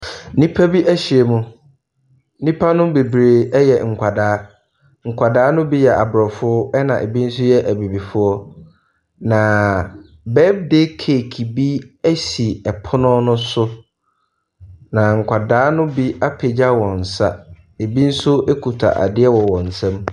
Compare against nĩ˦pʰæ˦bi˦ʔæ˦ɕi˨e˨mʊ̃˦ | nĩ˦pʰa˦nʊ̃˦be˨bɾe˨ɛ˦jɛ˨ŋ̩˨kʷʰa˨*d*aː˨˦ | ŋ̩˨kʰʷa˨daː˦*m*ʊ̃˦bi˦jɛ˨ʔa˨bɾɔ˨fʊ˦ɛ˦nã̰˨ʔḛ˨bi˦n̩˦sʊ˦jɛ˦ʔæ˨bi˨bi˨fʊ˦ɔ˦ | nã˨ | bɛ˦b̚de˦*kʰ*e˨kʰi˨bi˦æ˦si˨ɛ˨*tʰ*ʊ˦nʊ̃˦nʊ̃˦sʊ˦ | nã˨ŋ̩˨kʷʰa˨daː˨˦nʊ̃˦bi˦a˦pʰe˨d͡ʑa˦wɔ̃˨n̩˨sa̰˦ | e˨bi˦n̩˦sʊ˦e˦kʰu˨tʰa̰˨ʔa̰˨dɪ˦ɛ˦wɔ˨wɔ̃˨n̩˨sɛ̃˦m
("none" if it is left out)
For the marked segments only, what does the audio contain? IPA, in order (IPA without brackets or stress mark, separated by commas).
d, n, kʰ, pʰ